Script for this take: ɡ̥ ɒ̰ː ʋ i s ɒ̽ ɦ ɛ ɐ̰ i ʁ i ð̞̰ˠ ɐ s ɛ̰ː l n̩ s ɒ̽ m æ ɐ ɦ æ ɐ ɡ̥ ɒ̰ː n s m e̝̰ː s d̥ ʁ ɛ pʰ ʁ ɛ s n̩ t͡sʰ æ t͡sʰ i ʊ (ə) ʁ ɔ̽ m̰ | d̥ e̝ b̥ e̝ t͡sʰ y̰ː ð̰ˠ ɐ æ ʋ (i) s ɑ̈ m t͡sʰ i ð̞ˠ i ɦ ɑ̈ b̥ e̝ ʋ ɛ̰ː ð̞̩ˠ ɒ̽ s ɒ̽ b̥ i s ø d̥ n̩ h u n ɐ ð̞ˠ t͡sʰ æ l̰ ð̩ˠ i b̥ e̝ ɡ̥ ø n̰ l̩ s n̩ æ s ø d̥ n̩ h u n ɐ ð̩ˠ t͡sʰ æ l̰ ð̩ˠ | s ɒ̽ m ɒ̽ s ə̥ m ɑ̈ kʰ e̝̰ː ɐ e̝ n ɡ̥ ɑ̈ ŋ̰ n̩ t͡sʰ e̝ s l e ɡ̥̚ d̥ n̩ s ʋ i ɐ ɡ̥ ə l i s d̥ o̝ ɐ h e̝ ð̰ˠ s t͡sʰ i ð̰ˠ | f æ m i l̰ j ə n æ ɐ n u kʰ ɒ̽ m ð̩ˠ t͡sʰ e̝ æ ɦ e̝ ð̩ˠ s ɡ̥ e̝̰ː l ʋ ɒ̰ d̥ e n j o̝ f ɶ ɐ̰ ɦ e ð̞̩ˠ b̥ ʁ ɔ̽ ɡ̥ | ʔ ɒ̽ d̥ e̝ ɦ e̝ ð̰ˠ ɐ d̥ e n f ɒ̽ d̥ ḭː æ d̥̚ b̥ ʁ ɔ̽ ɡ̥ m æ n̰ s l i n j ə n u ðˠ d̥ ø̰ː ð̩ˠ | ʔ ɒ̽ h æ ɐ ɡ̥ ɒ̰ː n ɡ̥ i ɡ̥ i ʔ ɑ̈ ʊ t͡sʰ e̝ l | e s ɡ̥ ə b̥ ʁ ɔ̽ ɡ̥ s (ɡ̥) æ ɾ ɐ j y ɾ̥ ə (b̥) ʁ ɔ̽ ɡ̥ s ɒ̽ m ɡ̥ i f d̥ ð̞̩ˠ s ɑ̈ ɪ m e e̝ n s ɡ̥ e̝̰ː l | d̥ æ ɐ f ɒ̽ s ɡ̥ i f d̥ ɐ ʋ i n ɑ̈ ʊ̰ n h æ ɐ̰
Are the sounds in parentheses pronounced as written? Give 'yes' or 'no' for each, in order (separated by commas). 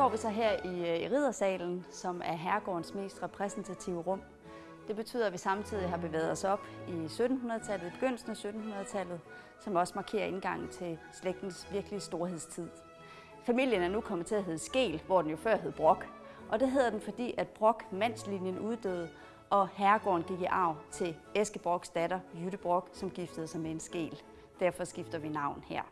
yes, yes, no, yes